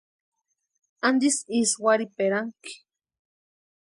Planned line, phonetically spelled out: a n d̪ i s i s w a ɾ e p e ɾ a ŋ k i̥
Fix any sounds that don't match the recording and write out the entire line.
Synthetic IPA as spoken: a n d̪ i s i s w a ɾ i p e ɾ a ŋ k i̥